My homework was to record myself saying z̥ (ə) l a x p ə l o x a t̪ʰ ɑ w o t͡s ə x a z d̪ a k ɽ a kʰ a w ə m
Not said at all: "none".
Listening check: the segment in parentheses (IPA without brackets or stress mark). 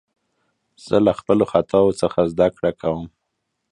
ə